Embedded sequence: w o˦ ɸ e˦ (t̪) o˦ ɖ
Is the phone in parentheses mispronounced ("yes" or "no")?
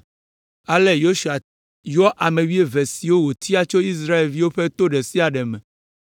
no